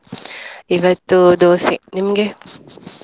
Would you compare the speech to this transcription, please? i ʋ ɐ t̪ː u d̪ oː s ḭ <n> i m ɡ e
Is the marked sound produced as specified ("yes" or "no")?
yes